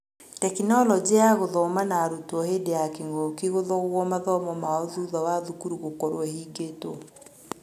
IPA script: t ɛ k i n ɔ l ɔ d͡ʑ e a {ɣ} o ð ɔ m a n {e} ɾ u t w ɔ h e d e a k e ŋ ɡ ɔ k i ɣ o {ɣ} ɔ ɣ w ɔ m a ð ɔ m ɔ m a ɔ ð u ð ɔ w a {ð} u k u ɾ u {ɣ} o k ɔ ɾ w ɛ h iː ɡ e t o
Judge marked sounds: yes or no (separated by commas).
yes, no, no, yes, yes